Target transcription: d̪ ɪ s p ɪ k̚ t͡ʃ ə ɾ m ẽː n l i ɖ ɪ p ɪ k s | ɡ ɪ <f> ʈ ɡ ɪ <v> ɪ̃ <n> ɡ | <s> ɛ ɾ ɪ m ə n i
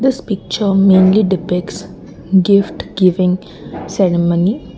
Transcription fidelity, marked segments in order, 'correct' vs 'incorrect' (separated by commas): correct, incorrect, incorrect, correct